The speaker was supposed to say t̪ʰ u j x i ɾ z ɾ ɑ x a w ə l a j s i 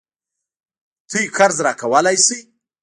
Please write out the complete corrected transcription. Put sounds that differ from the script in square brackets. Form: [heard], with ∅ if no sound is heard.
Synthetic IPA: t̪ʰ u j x [a] ɾ z ɾ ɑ [k] a w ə l a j s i